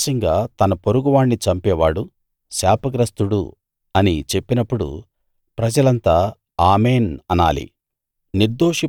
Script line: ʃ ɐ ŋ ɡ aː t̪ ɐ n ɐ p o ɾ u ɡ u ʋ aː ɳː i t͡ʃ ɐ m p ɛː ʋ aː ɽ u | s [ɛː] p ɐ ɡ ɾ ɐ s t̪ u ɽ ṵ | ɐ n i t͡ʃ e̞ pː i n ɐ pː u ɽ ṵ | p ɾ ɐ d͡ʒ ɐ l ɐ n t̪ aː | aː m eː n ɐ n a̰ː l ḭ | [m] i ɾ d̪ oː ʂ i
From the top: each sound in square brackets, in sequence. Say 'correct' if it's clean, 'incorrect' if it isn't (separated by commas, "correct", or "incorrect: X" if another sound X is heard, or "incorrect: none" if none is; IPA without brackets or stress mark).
incorrect: aː, incorrect: n